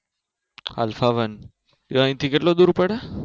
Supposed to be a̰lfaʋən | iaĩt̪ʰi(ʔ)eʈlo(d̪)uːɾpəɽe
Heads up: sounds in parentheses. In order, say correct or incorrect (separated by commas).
incorrect, correct